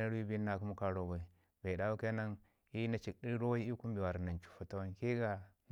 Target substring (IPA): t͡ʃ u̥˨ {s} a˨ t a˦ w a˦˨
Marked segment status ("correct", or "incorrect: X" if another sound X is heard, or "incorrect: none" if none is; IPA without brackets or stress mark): incorrect: f